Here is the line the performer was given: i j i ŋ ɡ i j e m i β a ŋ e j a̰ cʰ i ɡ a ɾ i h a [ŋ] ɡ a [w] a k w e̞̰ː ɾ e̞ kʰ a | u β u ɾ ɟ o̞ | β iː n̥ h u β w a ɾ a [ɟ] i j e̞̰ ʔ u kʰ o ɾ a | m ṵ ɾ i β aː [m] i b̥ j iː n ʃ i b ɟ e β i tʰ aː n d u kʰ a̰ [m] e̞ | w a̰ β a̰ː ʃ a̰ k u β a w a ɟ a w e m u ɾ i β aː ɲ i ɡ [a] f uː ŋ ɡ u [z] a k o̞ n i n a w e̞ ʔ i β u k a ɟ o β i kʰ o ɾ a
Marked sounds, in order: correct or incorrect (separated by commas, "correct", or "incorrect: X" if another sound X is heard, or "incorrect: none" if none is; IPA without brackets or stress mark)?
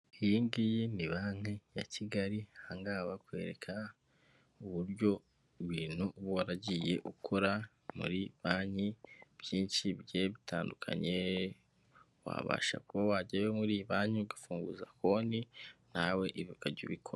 correct, incorrect: β, correct, incorrect: ɲ, incorrect: ɲ, correct, correct